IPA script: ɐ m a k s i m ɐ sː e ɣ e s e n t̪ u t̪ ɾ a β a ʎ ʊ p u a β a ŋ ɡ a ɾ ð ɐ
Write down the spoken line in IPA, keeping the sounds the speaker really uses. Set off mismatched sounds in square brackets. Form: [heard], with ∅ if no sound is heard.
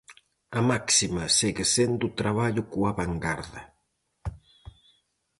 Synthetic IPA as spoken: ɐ m a k s i m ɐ [s] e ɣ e s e n [d̪] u t̪ ɾ a β a ʎ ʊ [k] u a β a ŋ ɡ a ɾ ð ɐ